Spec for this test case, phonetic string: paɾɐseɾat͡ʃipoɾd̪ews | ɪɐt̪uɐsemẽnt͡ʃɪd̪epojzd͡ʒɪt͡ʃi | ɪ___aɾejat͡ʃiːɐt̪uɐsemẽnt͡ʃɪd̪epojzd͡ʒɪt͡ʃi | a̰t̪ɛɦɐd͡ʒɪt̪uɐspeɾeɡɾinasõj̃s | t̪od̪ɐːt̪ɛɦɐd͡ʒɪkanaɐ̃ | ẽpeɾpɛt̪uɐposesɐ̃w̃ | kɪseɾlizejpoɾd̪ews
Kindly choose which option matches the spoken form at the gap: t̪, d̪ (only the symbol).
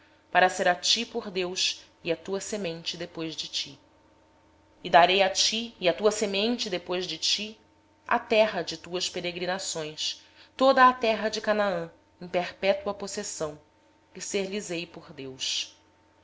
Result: d̪